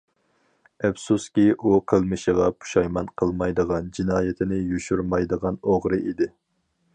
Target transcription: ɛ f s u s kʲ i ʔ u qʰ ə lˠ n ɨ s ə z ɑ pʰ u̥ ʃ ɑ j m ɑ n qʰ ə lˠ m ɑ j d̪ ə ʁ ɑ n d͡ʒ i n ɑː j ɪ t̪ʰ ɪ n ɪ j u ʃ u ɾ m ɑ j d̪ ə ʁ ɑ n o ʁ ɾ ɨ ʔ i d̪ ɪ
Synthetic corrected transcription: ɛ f s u s kʲ i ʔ u qʰ ə lˠ m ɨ ʃ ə ʁ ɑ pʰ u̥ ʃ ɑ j m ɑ n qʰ ə lˠ m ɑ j d̪ ə ʁ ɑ n d͡ʒ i n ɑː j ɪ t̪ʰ ɪ n ɪ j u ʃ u ɾ m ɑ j d̪ ə ʁ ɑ n o ʁ ɾ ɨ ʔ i d̪ ɪ